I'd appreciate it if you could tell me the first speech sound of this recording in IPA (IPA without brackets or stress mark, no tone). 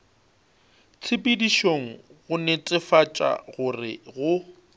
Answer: t͡sʰ